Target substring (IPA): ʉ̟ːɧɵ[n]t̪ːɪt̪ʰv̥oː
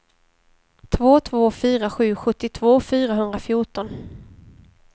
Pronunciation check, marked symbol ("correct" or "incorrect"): incorrect